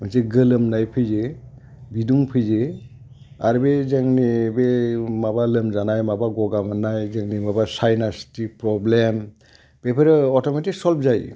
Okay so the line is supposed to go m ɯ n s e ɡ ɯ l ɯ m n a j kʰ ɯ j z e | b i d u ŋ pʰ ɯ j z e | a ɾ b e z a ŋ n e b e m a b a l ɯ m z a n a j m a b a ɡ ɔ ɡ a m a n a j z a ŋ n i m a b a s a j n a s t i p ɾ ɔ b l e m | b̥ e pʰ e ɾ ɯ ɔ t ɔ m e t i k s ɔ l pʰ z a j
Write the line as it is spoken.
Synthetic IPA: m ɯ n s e ɡ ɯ l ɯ m n a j pʰ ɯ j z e | b i d u ŋ pʰ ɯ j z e | a ɾ b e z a ŋ n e b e m a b a l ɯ m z a n a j m a b a ɡ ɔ ɡ a m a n a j z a ŋ n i m a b a s a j n a s t i p ɾ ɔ b l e m | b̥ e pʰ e ɾ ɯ ɔ t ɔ m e t i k s ɔ l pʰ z a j